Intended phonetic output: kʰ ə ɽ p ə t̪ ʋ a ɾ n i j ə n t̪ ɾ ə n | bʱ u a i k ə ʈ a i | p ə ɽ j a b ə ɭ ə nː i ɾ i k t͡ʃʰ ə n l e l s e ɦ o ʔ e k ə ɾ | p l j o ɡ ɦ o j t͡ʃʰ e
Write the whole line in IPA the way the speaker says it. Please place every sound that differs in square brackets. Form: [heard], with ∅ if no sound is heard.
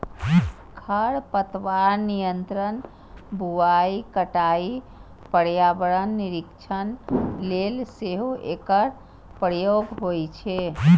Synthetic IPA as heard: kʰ ə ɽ p ə t̪ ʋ a ɾ n i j ə n t̪ ɾ ə n | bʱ u a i k ə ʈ a i | p ə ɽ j a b ə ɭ ə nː i ɾ i k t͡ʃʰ ə n l e l s e ɦ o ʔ e k ə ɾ | p [ɾ] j o ɡ ɦ o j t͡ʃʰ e

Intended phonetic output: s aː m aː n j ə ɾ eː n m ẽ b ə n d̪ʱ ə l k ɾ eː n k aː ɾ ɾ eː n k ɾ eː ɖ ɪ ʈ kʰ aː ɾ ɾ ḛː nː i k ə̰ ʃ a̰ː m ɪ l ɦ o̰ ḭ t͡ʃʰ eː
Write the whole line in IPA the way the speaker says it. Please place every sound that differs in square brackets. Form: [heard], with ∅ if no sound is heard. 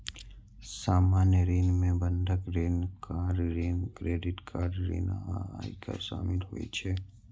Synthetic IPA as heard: s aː m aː n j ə ɾ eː n m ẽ b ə n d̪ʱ ə [∅] k ɾ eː n k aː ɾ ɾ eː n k ɾ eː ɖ ɪ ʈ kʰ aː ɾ ɾ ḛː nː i k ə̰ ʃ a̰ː m ɪ l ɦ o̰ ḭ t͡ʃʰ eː

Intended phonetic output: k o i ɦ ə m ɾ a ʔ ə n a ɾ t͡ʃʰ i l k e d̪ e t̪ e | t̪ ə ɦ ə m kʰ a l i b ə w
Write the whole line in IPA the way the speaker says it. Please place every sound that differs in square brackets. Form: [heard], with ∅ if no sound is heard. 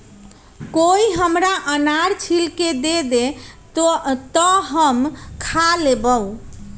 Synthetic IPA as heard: k o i ɦ ə m ɾ a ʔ ə n a ɾ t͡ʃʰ i l k e d̪ e [d̪] e | t̪ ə ɦ ə m kʰ a l [e] b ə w

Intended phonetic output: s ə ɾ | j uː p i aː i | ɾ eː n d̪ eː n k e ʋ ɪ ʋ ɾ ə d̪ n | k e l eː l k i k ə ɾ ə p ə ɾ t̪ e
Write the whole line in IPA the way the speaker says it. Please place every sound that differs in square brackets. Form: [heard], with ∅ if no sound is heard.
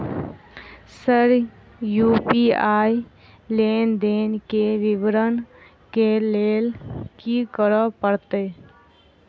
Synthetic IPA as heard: s ə ɾ | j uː p i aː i | [l] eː n d̪ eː n k e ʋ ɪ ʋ ɾ ə [∅] n | k e l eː l k i k ə ɾ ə p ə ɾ t̪ e

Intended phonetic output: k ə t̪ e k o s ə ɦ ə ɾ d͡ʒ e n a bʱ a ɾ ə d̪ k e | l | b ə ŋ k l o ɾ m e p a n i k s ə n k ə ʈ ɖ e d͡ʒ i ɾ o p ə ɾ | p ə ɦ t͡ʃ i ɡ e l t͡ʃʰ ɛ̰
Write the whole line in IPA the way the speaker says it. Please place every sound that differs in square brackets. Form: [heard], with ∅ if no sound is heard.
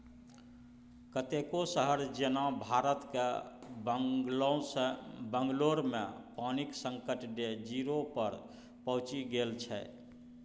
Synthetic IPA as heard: k ə t̪ e k o s ə ɦ ə ɾ d͡ʒ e n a bʱ a ɾ ə [t̪] k e | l | b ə ŋ [ɡ] l o ɾ m e p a n i k s ə [ŋ] k ə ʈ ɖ e d͡ʒ i ɾ o p ə ɾ | p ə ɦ t͡ʃ i ɡ e l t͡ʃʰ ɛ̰

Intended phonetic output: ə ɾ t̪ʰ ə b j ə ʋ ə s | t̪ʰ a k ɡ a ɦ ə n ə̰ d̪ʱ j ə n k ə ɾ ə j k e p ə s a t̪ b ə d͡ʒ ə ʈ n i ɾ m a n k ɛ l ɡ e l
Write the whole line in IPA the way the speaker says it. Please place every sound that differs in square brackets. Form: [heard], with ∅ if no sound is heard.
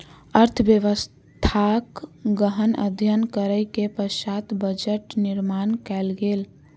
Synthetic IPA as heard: ə ɾ t̪ʰ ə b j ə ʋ ə s | t̪ʰ a k ɡ [ə] ɦ ə n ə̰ d̪ʱ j ə n k ə ɾ ə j k e p ə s a t̪ b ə d͡ʒ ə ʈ n i ɾ m a n k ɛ l ɡ e l

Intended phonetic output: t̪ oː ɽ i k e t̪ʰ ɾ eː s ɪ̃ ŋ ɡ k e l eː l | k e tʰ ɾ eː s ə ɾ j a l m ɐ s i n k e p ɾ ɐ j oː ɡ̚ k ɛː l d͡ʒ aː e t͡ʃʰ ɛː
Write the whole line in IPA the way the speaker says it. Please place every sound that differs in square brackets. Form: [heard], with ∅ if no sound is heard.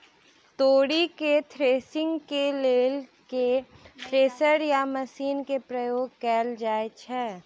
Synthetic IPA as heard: t̪ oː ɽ i k e t̪ʰ ɾ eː s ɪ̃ ŋ ɡ k e l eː l | k e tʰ ɾ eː s ə ɾ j a [∅] m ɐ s [iː] n k e p ɾ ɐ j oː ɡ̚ k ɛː l d͡ʒ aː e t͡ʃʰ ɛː

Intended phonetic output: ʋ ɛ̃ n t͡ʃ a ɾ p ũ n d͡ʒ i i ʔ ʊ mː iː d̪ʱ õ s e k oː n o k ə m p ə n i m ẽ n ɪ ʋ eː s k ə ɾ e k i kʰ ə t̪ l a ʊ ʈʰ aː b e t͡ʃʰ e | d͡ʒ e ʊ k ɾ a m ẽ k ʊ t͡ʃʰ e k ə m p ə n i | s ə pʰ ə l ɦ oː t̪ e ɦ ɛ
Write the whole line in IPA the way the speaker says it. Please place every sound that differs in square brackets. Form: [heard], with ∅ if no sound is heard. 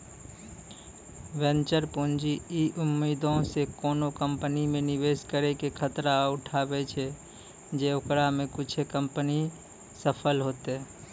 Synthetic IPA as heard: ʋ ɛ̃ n t͡ʃ [ə] ɾ p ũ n d͡ʒ i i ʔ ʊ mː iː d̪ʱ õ s e k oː n o k ə m p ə n i m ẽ n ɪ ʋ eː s k ə ɾ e k [e] kʰ ə t̪ [ɾ] a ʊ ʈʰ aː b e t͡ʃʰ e | d͡ʒ e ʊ k ɾ a m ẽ k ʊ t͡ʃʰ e k ə m p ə n i | s ə pʰ ə l ɦ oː t̪ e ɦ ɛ

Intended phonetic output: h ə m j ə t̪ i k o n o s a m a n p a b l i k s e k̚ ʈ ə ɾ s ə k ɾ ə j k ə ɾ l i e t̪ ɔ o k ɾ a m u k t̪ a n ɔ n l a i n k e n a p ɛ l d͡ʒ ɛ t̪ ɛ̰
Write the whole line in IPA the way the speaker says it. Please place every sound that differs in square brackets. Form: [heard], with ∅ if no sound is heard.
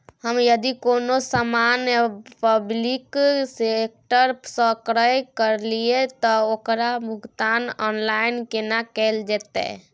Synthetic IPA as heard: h ə m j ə [d̪] i k o n o s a m a n p [ə] b l i k s e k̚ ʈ ə ɾ s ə k ɾ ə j k ə ɾ l i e t̪ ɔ o k ɾ a m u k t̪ a n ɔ n l a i n k e n a [k] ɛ l d͡ʒ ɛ t̪ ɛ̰

